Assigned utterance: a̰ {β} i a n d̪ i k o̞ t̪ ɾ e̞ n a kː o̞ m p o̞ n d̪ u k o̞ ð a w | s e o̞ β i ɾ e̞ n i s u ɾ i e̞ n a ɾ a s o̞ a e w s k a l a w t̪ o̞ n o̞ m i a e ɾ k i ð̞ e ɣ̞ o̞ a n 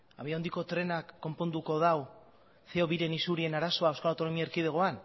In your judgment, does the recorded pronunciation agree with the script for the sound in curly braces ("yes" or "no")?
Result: yes